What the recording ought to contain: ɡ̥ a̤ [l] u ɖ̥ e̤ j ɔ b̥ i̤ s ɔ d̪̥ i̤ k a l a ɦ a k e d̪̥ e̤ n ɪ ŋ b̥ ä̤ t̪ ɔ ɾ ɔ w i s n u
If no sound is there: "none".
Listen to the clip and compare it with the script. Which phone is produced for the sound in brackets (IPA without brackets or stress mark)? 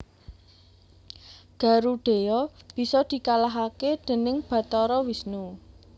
ɾ